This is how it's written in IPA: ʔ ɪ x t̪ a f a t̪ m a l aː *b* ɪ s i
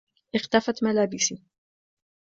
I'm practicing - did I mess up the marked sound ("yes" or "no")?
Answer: no